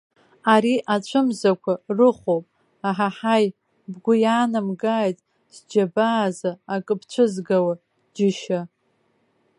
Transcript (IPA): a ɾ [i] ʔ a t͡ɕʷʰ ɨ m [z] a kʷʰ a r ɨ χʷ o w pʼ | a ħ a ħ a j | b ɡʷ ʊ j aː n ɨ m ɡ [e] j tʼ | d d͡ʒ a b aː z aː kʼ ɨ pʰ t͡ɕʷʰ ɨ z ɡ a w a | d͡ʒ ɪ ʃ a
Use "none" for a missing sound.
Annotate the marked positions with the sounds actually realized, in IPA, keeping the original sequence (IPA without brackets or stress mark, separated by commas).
i, z, a